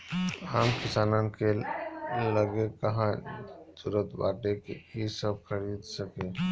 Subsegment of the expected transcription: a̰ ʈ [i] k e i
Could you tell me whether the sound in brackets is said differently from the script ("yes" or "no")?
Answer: yes